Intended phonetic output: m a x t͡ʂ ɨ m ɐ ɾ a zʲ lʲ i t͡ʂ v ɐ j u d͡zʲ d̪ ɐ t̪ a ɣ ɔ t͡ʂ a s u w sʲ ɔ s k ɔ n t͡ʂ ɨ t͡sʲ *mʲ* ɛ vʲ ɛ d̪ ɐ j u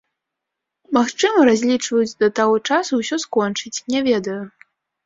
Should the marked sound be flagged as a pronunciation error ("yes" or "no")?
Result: yes